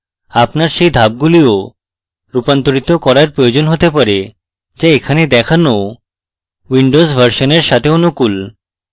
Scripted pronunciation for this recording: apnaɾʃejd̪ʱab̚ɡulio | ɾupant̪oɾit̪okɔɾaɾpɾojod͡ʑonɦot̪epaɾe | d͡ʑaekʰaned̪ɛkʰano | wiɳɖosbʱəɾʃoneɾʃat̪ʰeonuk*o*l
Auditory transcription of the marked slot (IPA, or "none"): u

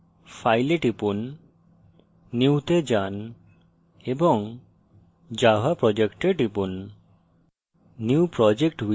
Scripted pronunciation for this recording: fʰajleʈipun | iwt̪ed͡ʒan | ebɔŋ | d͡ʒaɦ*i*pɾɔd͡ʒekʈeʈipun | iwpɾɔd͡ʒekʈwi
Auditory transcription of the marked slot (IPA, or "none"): a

